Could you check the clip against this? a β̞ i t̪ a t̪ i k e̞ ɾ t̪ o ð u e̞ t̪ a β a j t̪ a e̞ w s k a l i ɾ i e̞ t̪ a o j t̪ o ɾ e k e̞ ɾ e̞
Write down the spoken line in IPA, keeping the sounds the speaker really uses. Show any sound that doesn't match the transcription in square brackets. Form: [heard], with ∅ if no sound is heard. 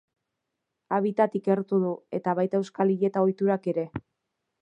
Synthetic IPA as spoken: a β̞ i t̪ a t̪ i k e̞ ɾ t̪ [u] ð u e̞ t̪ a β a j t̪ a e̞ w s k a l i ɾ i e̞ t̪ a o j t̪ [u] ɾ [a] k e̞ ɾ e̞

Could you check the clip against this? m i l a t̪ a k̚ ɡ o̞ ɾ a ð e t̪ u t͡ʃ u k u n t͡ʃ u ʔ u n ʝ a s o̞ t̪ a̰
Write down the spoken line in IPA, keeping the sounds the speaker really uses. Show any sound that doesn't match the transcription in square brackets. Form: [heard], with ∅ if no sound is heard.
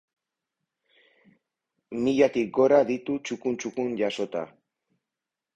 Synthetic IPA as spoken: m i [ʎ] a t̪ [i] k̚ ɡ o̞ ɾ a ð [i] t̪ u t͡ʃ u k u n t͡ʃ u [k] u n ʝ a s o̞ t̪ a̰

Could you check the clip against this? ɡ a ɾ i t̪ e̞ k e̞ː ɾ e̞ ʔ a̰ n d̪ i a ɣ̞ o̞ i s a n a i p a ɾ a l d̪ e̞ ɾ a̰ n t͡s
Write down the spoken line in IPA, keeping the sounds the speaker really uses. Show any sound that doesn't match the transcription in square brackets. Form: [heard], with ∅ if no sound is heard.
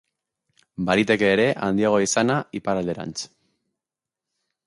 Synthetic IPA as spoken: [b] a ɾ i t̪ e̞ k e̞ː ɾ e̞ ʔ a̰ n d̪ i a ɣ̞ o̞ i s a n a i p a ɾ a l d̪ e̞ ɾ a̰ n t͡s

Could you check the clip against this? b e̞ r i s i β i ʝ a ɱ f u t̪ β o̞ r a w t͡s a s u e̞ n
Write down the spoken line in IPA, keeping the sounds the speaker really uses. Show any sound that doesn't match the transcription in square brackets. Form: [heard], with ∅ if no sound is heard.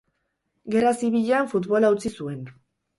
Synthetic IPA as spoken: [ɡ] e̞ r [a] s i β i [ʎ] a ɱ f u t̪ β o̞ [l] a w t͡s [i] s u e̞ n

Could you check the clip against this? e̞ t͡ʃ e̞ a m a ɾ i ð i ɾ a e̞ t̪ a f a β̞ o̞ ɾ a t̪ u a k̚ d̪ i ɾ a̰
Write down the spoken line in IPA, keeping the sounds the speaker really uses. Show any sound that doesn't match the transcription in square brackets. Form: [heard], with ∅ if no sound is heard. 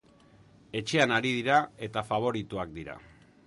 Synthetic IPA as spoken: e̞ t͡ʃ e̞ a [n] a ɾ i ð i ɾ a e̞ t̪ a f a β̞ o̞ ɾ [i] t̪ u a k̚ d̪ i ɾ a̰

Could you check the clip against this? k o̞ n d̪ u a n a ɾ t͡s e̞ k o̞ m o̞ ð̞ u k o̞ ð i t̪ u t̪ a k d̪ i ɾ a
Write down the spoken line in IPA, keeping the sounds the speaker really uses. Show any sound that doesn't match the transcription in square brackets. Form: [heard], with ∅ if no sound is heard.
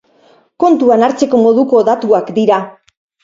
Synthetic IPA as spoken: k o̞ n [t̪] u a n a ɾ t͡s e̞ k o̞ m o̞ ð̞ u k o̞ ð [a] t̪ u [∅] a k d̪ i ɾ a

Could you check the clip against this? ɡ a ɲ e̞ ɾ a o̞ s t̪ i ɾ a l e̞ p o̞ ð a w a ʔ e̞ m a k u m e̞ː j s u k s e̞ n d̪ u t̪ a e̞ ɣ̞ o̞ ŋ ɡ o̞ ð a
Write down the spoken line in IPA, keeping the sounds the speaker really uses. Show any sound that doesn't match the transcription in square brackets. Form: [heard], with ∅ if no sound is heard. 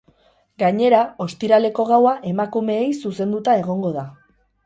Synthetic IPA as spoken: ɡ a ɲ e̞ ɾ a o̞ s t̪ i ɾ a l e̞ [k] o̞ [ɣ] a w a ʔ e̞ m a k u m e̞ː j s u [∅] s e̞ n d̪ u t̪ a e̞ ɣ̞ o̞ ŋ ɡ o̞ ð a

